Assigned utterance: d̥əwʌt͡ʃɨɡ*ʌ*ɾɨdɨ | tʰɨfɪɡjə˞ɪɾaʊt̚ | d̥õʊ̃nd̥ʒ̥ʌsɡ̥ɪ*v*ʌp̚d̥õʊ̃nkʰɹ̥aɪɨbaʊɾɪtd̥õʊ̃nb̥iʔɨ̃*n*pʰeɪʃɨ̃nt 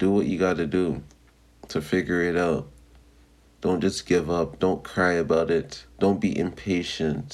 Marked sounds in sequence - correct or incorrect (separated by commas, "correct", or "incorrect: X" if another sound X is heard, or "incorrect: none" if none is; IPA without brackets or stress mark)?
incorrect: ɑ, correct, incorrect: m